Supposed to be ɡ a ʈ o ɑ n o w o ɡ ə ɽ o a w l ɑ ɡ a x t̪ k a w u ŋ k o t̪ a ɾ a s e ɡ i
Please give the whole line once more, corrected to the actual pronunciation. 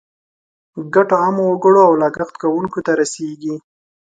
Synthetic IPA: ɡ a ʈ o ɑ m o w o ɡ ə ɽ o a w l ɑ ɡ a x t̪ k a w u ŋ k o t̪ a ɾ a s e ɡ i